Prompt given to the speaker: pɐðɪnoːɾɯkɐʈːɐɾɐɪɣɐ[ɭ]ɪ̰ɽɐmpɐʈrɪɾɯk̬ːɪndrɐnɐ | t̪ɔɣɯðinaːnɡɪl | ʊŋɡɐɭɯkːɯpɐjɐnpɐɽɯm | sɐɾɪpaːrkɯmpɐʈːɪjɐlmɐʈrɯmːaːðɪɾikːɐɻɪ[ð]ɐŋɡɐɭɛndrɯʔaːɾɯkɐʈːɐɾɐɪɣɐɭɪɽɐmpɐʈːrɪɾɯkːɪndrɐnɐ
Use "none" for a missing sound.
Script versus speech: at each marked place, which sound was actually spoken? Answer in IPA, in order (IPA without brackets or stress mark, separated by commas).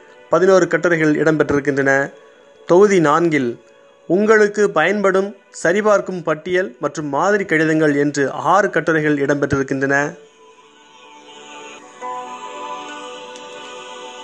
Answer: ɭ, ð